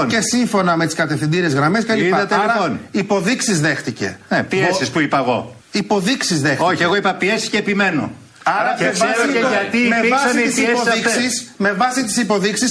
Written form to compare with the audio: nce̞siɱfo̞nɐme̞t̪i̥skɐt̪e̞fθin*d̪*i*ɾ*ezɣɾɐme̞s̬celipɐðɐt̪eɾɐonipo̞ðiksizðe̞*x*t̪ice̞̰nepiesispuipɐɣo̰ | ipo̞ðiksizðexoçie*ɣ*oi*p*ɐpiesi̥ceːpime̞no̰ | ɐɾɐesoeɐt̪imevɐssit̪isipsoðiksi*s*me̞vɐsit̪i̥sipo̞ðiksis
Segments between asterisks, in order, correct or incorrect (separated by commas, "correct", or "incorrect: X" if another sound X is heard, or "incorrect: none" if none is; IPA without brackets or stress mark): correct, correct, correct, correct, correct, correct